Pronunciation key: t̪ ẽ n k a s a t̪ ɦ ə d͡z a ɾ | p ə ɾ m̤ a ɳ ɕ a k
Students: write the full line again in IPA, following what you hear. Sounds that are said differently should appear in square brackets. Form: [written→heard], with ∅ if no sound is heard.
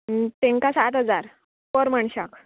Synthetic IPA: t̪ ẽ [n→ŋ] k a s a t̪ ɦ ə d͡z a ɾ | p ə ɾ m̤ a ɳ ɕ a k